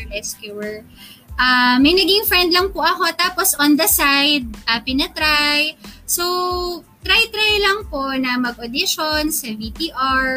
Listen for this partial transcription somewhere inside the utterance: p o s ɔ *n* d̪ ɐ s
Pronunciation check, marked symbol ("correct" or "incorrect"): correct